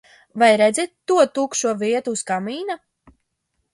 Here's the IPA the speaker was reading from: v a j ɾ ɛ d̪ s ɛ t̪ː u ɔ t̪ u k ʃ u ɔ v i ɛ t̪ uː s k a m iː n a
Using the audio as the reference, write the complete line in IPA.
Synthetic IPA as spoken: v a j ɾ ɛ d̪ z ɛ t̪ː u ɔ t̪ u k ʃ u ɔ v i ɛ t̪ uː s k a m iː n a

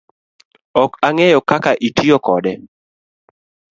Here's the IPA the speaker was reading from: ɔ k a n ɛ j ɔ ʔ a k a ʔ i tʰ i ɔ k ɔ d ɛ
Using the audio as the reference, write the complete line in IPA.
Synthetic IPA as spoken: ɔ k a ŋ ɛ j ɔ k a k a ʔ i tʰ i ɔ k ɔ d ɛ

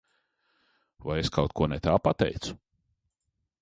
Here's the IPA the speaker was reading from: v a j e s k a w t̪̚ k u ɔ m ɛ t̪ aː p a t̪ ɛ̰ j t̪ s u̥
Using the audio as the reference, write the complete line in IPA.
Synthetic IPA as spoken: v a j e s k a w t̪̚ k u ɔ n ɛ t̪ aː p a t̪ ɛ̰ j t̪ s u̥

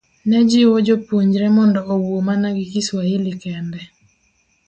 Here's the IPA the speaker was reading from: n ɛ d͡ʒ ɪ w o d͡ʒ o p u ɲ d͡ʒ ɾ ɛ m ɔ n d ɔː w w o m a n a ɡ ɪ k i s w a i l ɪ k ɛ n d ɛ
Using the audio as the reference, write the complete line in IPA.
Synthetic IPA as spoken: n ɛ d͡ʒ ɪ w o d͡ʒ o p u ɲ d͡ʒ ɾ ɛ m ɔ n d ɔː w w o m a n a ɡ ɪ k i s w a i l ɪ k ɛ n d ɛ

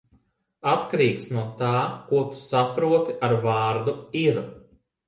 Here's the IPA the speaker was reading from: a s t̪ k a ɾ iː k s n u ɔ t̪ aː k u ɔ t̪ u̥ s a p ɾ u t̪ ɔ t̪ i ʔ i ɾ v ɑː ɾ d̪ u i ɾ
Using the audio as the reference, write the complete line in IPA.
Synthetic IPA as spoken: a t̪ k a ɾ iː k s n u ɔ t̪ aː k u ɔ t̪ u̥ s a p ɾ u ɔ t̪ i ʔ a ɾ v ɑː ɾ d̪ u i ɾ

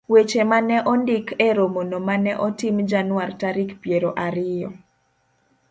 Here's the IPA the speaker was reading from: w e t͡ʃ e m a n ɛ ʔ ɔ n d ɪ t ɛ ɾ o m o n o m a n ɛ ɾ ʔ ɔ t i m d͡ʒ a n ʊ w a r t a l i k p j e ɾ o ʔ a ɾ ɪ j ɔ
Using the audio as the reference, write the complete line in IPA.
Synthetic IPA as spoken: w e t͡ʃ e m a n ɛ ʔ ɔ n d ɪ k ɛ ɾ o m o n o m a n ɛ ʔ ɔ t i m d͡ʒ a n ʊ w a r t a ɾ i k p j e ɾ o ʔ a ɾ ɪ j ɔ

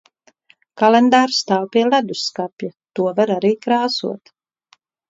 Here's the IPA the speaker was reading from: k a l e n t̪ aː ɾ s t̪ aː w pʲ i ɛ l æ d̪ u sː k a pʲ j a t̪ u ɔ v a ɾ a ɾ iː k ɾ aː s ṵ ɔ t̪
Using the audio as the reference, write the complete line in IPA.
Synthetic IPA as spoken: k a l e n d̪ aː ɾ s t̪ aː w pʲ i ɛ l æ d̪ u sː k a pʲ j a t̪ u ɔ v a ɾ a ɾ iː k ɾ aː s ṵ ɔ t̪

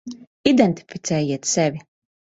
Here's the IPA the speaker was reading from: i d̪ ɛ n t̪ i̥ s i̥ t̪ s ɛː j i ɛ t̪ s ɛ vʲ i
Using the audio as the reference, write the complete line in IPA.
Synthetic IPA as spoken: i d̪ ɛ n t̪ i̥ f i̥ t̪ s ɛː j i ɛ t̪ s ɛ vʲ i

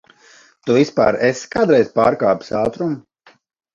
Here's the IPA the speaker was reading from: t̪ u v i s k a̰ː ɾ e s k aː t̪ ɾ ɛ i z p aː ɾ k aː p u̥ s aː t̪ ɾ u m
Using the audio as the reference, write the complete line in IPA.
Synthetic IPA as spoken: t̪ u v i s p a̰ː ɾ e s k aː d̪ ɾ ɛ j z p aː ɾ k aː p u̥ s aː t̪ ɾ u m

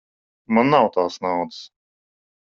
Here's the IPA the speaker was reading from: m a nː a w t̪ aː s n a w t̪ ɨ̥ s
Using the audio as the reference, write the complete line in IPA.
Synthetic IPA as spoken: m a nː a w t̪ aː s n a w d̪ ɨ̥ s

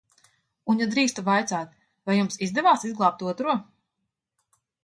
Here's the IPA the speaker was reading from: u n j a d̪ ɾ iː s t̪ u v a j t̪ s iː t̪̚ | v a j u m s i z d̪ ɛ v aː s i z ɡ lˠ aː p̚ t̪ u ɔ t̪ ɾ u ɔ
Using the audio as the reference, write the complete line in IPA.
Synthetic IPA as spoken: u n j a d̪ ɾ iː s t̪ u v a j t̪ s aː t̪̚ | v a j u m s i z d̪ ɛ v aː s i z ɡ lˠ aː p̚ t̪ u ɔ t̪ ɾ u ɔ

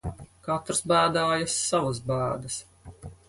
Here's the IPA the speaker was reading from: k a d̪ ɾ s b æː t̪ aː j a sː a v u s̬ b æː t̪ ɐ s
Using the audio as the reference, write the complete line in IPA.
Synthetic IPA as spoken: k a t̪ ɾ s b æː d̪ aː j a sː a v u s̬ b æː d̪ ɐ s

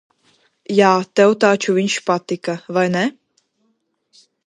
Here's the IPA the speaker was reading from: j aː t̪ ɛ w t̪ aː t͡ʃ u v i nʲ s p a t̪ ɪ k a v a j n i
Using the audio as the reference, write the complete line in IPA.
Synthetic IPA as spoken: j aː t̪ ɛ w t̪ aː t͡ʃ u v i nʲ ʃ p a t̪ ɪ k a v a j n ɛ

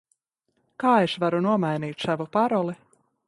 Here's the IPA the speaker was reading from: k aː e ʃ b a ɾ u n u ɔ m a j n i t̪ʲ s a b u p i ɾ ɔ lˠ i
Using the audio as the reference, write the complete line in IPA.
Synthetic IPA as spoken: k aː e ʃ v a ɾ u n u ɔ m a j n iː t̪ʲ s a v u p a ɾ ɔ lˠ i

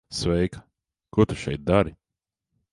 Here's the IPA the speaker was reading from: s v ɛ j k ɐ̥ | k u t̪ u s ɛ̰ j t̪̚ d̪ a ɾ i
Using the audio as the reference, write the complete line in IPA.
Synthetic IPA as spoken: s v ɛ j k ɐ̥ | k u t̪ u ʃ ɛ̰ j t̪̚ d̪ a ɾ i

